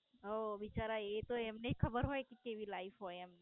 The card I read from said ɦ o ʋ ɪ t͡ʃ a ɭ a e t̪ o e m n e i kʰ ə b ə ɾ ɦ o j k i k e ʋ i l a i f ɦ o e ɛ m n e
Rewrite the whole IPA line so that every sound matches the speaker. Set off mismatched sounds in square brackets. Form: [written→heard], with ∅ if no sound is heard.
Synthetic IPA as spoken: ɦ o ʋ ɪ t͡ʃ a [ɭ→ɾ] a e t̪ o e m n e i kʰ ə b ə ɾ ɦ o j k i k e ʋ i l a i f ɦ o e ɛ m n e